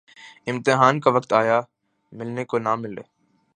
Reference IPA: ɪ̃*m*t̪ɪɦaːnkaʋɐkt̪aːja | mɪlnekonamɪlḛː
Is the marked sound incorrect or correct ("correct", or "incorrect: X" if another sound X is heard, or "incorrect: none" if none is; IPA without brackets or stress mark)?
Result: correct